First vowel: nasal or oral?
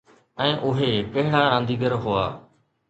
nasal